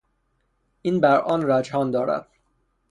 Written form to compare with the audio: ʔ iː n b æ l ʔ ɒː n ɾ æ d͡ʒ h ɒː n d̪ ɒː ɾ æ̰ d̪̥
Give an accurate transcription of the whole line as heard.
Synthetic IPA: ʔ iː n b æ ɾ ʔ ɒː n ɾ æ d͡ʒ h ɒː n d̪ ɒː ɾ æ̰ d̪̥